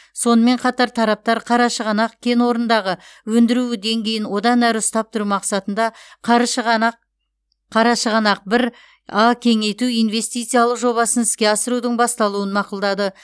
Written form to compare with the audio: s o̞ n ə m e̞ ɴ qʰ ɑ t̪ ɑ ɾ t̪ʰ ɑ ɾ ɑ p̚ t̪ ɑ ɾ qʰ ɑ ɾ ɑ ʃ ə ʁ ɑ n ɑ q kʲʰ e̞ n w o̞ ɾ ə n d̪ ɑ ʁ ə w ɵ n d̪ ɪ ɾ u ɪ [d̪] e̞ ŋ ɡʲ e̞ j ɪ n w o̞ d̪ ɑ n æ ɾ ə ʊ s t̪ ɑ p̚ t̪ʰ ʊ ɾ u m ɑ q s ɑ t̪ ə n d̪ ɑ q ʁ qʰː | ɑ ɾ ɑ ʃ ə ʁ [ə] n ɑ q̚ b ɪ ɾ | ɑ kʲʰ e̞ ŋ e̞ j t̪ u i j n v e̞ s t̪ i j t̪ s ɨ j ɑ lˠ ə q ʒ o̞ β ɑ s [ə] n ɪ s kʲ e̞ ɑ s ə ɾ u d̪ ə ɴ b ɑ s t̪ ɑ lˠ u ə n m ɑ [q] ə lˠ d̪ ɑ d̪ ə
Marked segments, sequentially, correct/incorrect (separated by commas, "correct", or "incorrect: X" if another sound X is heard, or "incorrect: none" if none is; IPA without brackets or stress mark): correct, incorrect: ɑ, correct, correct